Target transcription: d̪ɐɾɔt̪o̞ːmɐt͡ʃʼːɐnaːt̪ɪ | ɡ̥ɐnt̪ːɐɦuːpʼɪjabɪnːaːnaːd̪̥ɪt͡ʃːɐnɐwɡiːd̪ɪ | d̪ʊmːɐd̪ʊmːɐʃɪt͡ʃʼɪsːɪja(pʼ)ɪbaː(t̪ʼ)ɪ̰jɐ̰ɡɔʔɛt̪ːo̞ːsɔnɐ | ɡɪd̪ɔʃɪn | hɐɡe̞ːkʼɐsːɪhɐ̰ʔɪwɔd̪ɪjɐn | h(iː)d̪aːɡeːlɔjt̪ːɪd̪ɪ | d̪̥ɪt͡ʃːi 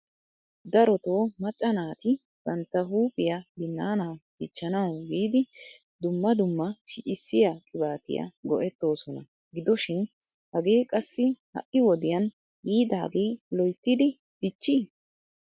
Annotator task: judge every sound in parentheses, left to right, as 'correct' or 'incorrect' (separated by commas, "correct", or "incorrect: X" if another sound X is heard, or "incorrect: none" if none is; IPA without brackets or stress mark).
incorrect: kʼ, incorrect: t̪, correct